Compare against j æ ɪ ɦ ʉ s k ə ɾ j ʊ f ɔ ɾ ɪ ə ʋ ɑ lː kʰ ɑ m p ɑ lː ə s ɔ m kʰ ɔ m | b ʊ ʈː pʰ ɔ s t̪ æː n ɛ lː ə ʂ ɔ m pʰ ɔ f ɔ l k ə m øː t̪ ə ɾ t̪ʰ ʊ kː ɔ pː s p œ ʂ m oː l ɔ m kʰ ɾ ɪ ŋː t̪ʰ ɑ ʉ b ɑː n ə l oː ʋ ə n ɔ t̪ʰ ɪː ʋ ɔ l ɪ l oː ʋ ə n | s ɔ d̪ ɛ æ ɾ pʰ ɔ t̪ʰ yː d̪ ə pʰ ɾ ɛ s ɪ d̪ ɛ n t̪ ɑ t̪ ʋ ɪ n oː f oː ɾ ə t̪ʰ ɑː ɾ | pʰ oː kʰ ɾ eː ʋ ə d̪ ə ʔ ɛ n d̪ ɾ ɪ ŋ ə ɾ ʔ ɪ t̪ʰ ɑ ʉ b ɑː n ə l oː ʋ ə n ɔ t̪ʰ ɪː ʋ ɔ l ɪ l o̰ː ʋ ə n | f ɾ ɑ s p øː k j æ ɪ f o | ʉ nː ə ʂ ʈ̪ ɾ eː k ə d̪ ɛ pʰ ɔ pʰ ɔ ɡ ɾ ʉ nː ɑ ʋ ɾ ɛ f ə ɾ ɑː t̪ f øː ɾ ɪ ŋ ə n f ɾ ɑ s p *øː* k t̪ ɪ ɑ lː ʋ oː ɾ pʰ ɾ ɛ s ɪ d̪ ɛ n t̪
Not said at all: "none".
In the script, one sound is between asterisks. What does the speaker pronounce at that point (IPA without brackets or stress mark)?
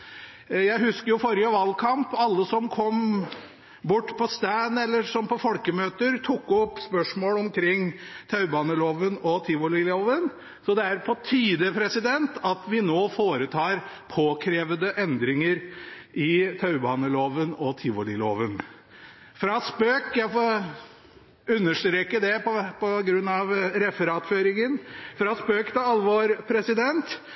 øː